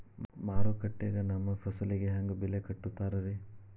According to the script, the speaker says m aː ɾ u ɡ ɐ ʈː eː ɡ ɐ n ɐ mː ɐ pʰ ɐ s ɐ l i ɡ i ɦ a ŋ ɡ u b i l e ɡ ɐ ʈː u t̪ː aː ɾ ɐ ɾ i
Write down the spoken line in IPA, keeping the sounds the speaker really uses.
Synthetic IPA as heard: m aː ɾ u k ɐ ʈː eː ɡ ɐ n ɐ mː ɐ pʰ ɐ s ɐ l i ɡ e ɦ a ŋ ɡ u b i l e k ɐ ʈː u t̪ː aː ɾ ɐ ɾ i